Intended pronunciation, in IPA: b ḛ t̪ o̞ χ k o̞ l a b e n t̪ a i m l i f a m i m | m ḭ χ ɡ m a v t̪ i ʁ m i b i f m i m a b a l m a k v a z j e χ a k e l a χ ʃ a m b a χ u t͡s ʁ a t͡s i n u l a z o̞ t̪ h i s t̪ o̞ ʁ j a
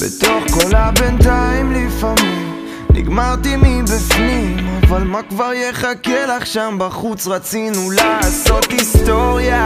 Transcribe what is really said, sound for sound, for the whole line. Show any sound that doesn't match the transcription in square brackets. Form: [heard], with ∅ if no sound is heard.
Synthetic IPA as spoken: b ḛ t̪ o̞ χ k o̞ l a b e n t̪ a i m l i f a m i m | [n] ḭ [∅] ɡ m a [ʁ] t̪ i [∅] m i b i f [n] i m a [v] a l m a k v a [ʁ] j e χ a k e l a χ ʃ a m b a χ u t͡s ʁ a t͡s i n u l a [s] o̞ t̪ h i s t̪ o̞ ʁ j a